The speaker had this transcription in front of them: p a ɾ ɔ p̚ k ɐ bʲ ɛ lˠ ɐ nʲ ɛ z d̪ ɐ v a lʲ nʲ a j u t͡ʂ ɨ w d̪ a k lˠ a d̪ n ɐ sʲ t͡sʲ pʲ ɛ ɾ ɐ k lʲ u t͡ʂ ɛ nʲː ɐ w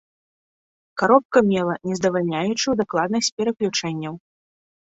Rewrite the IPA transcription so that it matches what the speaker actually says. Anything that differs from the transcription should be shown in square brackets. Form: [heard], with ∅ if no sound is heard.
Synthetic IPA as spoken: [k] a ɾ ɔ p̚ k ɐ [mʲ] ɛ lˠ ɐ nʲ ɛ z d̪ ɐ v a lʲ nʲ a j u t͡ʂ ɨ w d̪ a k lˠ a d̪ n ɐ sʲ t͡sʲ pʲ ɛ ɾ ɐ k lʲ u t͡ʂ ɛ nʲː ɐ w